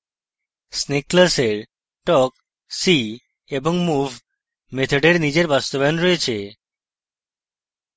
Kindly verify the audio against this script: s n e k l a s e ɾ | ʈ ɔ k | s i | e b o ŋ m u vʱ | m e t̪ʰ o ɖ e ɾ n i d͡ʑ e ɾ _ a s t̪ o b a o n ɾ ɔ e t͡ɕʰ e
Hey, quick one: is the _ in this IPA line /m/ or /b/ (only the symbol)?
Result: b